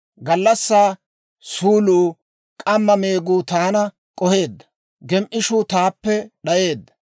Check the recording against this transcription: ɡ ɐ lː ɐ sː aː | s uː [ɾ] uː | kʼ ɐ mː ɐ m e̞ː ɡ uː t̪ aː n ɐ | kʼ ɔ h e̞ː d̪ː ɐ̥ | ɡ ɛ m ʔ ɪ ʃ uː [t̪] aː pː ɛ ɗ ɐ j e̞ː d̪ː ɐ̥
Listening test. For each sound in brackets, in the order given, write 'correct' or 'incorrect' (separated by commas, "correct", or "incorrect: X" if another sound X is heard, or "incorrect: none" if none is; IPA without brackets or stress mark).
incorrect: l, correct